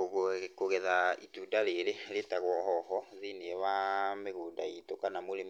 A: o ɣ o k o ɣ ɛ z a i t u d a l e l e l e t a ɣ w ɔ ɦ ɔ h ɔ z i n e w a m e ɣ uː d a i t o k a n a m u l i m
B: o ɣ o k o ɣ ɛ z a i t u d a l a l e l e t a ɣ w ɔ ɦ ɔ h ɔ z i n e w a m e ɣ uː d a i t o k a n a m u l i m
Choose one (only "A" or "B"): A